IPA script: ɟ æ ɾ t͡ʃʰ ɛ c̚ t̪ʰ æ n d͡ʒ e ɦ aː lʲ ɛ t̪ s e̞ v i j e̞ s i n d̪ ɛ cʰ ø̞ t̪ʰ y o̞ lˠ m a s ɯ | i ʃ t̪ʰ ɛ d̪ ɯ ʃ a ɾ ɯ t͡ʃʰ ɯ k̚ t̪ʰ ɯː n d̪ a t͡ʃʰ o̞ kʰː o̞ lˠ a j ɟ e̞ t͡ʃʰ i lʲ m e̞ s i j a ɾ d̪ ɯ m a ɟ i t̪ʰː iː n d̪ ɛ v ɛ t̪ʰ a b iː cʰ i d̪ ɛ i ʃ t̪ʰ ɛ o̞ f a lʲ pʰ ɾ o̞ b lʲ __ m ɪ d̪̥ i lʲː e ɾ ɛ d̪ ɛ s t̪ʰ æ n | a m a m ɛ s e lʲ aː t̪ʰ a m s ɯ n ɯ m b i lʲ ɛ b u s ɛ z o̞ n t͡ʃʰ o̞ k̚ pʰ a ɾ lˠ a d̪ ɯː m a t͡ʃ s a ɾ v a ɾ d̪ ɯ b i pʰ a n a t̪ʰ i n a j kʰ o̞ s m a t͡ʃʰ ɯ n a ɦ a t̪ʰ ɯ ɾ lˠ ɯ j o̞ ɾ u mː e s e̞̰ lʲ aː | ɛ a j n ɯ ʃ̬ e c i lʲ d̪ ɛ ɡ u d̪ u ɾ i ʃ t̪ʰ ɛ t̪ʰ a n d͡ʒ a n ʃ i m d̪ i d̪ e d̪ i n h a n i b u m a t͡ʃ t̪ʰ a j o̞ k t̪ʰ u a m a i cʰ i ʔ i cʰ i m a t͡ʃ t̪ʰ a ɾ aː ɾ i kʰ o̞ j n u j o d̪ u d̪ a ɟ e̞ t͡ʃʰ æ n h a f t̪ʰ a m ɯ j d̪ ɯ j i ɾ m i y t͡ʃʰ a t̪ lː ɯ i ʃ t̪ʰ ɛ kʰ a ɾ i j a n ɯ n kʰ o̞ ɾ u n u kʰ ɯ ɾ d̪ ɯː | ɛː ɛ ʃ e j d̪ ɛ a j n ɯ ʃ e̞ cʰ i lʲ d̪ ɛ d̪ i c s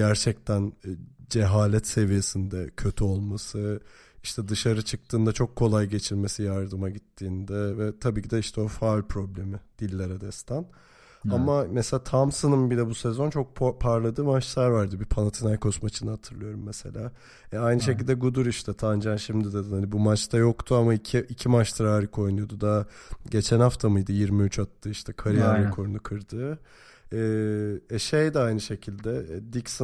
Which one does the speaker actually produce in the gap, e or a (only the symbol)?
e